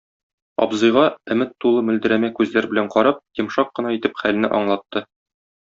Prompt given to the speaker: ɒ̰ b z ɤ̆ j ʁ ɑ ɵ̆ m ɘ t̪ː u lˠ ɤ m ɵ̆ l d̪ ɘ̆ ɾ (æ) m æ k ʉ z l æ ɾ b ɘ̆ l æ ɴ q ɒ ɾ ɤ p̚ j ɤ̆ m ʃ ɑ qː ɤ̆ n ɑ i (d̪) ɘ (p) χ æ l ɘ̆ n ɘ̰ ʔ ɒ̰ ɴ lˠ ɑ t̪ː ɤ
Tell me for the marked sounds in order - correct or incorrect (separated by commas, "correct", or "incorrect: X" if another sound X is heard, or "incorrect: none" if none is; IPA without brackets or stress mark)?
correct, incorrect: t̪, correct